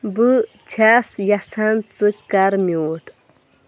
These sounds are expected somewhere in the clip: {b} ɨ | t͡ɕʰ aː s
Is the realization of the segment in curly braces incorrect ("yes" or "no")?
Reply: no